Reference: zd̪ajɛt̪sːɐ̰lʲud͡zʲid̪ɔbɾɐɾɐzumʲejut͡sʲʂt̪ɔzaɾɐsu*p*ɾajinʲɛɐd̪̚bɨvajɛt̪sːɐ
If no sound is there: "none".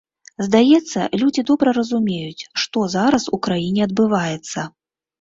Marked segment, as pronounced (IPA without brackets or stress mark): k